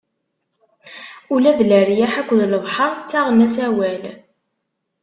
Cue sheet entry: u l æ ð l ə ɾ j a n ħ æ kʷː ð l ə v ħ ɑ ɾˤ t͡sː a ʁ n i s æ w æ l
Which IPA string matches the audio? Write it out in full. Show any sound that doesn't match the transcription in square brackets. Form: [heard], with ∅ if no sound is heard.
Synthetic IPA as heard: u l æ ð l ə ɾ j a [∅] ħ æ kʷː ð l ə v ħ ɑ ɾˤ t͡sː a ʁ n [æ] s æ w æ l